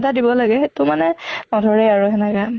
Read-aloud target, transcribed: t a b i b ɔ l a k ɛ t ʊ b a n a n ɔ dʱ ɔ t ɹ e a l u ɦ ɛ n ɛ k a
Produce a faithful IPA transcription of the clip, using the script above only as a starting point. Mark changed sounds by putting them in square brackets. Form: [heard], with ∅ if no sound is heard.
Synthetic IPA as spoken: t a [d] i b ɔ l a [ɡ] ɛ t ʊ [m] a n [ɛ] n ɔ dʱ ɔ [∅] ɹ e a [ɹ] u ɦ ɛ n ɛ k a